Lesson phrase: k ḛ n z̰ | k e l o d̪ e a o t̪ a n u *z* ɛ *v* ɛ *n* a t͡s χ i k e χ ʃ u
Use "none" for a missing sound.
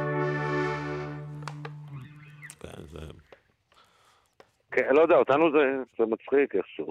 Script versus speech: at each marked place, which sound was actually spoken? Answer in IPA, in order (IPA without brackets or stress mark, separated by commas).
z, z, m